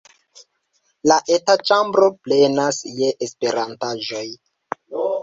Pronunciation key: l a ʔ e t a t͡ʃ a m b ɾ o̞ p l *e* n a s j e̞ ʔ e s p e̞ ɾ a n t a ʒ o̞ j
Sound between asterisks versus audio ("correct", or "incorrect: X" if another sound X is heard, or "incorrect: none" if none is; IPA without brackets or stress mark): correct